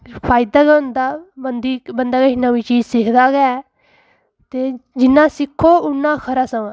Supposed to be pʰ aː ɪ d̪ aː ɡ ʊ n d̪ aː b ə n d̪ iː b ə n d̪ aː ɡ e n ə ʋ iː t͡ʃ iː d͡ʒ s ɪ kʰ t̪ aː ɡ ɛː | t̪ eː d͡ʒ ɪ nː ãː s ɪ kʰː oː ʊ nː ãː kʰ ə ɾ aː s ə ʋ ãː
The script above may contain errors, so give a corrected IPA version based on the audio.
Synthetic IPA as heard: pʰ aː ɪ d̪ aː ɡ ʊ n d̪ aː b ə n d̪ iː b ə n d̪ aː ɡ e n ə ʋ iː t͡ʃ iː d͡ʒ s ɪ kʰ d̪ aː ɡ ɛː | t̪ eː d͡ʒ ɪ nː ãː s ɪ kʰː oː ʊ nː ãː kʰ ə ɾ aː s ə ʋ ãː